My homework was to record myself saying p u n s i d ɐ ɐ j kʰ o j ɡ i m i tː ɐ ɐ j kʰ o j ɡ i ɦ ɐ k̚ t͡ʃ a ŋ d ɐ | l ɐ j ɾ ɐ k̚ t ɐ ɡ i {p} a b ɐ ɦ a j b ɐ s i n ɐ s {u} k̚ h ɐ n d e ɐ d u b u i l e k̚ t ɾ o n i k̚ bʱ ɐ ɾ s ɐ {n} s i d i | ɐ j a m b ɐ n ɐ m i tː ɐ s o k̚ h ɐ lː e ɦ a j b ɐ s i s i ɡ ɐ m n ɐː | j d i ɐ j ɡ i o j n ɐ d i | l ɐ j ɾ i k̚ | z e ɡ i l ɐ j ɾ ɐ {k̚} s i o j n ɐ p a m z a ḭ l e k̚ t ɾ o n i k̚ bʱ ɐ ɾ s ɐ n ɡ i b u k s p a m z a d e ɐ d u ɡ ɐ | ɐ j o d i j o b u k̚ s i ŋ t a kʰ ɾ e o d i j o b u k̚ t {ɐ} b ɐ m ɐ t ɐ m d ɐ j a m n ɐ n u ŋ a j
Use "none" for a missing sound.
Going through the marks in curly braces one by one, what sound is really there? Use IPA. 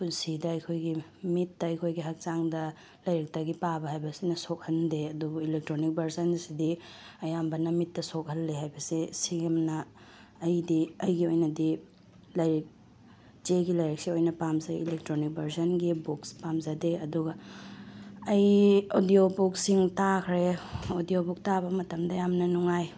p, o, n, k̚, a

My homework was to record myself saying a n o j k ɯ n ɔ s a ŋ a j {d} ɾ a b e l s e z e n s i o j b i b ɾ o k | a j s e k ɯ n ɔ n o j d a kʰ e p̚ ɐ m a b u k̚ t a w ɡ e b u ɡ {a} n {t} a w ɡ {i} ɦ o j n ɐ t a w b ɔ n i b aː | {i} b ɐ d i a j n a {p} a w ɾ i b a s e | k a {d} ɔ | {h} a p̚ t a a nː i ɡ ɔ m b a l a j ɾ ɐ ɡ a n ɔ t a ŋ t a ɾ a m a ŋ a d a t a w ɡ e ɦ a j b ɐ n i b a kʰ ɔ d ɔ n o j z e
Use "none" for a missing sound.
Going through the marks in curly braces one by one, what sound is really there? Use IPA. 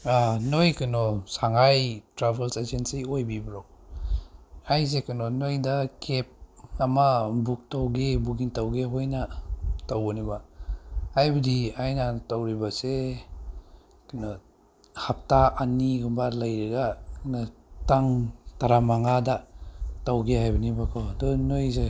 t, i, t, e, j, t, n, h

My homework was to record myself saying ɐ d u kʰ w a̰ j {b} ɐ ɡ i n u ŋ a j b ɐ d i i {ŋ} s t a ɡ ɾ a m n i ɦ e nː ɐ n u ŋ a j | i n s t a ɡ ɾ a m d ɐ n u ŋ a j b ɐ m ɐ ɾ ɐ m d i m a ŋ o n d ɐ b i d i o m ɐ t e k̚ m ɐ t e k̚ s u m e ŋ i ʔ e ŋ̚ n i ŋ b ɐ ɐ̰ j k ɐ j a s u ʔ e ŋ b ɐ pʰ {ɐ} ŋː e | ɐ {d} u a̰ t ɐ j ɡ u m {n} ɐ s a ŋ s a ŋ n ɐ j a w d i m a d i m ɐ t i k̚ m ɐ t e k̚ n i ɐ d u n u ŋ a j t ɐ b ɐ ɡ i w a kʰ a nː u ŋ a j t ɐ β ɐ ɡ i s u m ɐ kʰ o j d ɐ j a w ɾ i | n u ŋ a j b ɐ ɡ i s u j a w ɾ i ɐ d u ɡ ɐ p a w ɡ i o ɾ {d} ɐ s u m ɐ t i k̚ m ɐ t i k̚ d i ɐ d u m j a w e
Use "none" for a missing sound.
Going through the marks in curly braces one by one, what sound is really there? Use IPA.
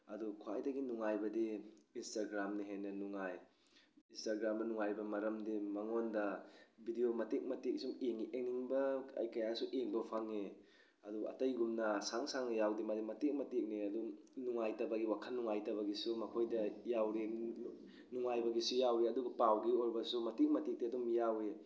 d, n, a, d, n, b

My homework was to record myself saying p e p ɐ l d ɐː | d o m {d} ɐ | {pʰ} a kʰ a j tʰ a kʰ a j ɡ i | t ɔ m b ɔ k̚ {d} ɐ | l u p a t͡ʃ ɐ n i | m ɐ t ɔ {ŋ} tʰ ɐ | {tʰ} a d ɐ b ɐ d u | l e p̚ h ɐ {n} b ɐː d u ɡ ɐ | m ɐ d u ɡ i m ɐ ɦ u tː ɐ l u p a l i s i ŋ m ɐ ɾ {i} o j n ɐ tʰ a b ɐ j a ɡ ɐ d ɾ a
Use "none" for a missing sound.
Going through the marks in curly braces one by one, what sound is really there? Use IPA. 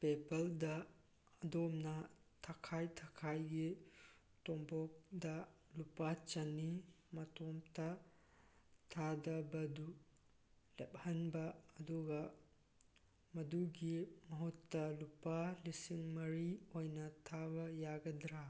n, tʰ, d, m, tʰ, n, i

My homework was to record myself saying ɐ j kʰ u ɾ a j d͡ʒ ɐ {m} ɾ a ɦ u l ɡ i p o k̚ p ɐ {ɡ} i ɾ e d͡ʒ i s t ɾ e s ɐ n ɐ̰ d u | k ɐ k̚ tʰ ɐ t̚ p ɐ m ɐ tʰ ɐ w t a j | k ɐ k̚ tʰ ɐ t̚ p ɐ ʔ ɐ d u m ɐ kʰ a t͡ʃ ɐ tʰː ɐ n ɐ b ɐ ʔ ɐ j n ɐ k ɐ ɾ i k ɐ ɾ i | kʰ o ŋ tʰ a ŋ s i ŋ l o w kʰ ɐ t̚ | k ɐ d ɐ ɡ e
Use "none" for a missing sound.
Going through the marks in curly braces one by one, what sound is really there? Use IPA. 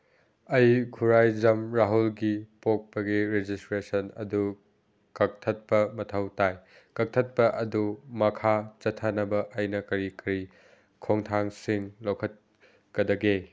m, ɡ

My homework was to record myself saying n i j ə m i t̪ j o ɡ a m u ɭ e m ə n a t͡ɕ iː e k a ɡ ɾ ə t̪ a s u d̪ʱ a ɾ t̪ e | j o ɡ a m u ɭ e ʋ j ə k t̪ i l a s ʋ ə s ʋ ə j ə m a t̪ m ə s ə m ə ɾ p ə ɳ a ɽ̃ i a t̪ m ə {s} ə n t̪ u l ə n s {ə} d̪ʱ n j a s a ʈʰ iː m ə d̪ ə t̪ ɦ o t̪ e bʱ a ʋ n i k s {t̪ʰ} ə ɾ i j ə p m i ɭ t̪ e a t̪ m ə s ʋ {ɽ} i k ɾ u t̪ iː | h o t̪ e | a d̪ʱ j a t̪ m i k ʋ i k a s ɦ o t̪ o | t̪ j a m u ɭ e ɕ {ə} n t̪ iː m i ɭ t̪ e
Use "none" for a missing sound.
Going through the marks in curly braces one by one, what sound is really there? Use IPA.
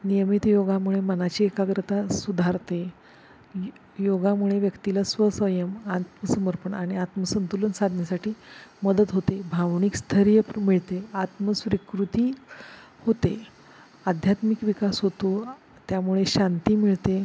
s, a, t̪ʰ, ɾ, a

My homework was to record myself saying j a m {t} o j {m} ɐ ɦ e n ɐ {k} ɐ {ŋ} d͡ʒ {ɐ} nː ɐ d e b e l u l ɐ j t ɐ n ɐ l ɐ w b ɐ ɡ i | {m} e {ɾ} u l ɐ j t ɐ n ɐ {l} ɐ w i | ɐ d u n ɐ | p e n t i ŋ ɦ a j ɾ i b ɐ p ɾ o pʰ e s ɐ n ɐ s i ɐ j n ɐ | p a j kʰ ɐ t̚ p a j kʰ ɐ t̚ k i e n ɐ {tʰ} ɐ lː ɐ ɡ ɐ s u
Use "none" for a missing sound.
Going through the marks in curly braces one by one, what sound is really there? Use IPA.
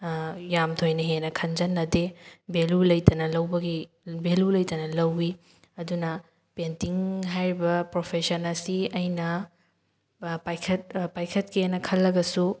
tʰ, n, kʰ, n, ɐ, b, l, l, kʰ

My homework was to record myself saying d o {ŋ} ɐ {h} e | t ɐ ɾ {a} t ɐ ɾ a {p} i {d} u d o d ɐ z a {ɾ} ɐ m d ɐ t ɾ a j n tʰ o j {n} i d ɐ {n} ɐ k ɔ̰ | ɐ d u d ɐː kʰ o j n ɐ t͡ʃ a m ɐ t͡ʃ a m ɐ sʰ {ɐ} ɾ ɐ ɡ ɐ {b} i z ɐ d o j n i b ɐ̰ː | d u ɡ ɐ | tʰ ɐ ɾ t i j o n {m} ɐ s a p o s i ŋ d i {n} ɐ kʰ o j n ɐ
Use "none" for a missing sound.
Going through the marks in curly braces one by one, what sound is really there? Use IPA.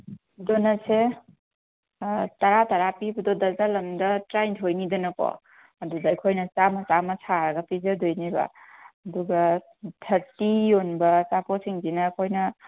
n, s, a, p, b, l, n, n, a, p, b, n

